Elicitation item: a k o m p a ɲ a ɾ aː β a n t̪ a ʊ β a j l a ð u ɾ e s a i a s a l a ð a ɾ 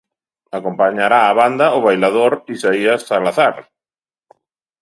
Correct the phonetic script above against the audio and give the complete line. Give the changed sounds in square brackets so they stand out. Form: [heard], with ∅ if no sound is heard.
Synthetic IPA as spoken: a k o m p a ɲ a ɾ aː β a n [d̪] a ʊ β a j l a ð [o] ɾ [i] s a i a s a l a [θ] a ɾ